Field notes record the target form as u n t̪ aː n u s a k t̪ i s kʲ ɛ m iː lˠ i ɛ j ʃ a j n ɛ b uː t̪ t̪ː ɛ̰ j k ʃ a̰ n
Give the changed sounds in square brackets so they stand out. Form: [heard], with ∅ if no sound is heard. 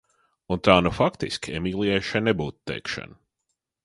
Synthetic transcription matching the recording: u n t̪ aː n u [f] a k t̪ i s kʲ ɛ m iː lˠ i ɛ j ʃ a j n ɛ b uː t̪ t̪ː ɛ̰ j k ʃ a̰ n